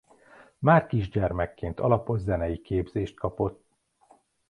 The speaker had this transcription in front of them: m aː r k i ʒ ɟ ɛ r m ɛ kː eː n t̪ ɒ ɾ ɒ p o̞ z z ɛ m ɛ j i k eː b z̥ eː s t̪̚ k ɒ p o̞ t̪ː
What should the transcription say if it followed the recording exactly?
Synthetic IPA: m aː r k i ʒ ɟ ɛ r m ɛ kː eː n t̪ ɒ l ɒ p o̞ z z ɛ n ɛ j i k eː b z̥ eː ʃ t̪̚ k ɒ p o̞ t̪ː